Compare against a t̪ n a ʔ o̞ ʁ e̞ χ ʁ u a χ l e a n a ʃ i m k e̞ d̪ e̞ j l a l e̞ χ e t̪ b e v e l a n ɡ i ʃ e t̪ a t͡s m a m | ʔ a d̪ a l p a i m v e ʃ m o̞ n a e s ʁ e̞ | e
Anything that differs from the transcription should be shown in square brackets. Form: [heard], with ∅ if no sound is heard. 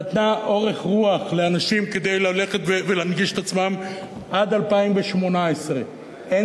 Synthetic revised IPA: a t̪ n a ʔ o̞ ʁ e̞ χ ʁ u a χ l e a n a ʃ i m k e̞ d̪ e̞ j l a l e̞ χ e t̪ [v] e v e l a n ɡ i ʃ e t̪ a t͡s m a m | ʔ a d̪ a l p a i m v e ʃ m o̞ n a e s ʁ e̞ | e